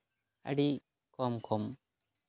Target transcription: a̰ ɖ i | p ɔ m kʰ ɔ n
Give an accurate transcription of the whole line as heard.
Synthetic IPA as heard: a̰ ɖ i | k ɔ m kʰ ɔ m

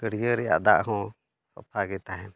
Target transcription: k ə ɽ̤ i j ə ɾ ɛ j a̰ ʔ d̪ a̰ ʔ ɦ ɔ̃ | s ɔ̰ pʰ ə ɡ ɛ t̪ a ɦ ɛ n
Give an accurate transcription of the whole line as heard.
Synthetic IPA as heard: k ə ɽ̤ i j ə ɾ ɛ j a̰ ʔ d̪ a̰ ʔ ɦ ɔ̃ | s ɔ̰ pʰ a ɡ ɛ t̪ a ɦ ɛ n

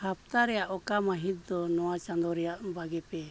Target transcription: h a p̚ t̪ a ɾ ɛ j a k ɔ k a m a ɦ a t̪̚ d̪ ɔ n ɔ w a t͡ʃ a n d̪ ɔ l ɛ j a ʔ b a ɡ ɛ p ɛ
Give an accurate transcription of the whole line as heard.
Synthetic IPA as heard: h a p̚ t̪ a ɾ ɛ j a ʔ ɔ k a m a ɦ i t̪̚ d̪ ɔ n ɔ w a t͡ʃ a n d̪ ɔ ɾ ɛ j a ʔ b a ɡ ɛ p ɛ

